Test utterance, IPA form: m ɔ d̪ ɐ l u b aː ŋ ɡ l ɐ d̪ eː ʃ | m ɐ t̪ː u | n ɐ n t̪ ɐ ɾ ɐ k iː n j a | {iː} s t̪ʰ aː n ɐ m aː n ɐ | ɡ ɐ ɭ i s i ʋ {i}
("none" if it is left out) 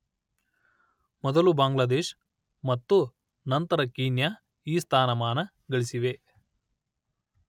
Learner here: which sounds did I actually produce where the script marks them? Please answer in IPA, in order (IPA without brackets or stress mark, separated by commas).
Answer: iː, e